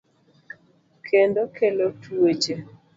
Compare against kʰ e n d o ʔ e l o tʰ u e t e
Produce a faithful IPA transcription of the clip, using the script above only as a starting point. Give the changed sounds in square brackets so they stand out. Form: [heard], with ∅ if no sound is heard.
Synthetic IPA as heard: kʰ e n d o [k] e l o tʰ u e [t͡ʃ] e